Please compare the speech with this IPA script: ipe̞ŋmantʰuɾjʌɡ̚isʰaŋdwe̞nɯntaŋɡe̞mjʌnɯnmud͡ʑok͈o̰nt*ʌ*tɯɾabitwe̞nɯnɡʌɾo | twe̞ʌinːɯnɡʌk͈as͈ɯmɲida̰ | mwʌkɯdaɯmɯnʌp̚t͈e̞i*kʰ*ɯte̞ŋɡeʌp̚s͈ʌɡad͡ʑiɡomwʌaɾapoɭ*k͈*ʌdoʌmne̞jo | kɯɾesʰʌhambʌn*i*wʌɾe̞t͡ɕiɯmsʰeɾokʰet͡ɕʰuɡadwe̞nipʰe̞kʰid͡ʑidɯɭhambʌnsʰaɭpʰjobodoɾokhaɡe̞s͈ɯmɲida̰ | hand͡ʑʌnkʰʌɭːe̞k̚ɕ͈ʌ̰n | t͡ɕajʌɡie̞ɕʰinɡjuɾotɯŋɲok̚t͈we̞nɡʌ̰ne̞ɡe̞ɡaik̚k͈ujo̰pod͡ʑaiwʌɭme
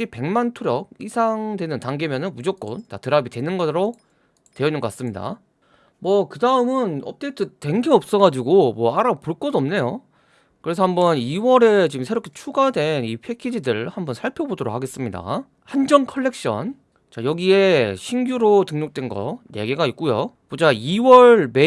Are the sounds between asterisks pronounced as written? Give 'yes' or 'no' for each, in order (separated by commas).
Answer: no, no, yes, yes